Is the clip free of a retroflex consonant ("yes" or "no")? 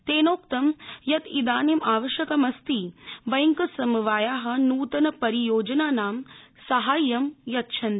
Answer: yes